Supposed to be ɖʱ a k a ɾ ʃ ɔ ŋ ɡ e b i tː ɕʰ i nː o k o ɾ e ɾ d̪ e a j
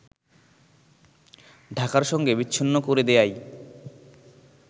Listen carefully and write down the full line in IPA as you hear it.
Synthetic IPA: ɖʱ a k a ɾ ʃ ɔ ŋ ɡ e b i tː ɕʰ i nː o k o ɾ e d̪ e a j

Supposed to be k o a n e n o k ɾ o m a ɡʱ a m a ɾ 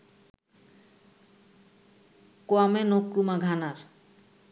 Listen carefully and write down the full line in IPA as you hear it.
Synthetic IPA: k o a m e n o k ɾ u m a ɡʱ a n a ɾ

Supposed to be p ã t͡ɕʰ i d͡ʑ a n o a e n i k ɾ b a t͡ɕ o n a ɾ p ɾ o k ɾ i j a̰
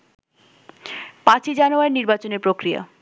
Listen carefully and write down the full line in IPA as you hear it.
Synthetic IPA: p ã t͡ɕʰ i d͡ʑ a n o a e n i ɾ b a t͡ɕ o n e ɾ p ɾ o k ɾ i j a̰

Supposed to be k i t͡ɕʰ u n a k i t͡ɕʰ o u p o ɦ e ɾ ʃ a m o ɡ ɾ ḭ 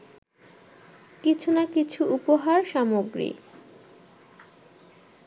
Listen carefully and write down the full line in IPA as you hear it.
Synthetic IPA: k i t͡ɕʰ u n a k i t͡ɕʰ u u p o ɦ a ɾ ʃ a m o ɡ ɾ ḭ

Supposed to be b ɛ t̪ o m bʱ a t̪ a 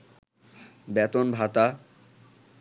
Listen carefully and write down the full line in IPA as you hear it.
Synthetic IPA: b ɛ t̪ o n bʱ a t̪ a

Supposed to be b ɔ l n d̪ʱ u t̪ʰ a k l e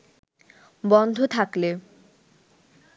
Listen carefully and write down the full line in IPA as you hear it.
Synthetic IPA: b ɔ n d̪ʱ o t̪ʰ a k l e

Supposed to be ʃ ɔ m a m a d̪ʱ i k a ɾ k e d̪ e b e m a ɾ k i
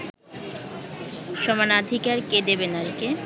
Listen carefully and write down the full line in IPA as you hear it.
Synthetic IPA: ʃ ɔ m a n a d̪ʱ i k a ɾ k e d̪ e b e n a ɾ k e

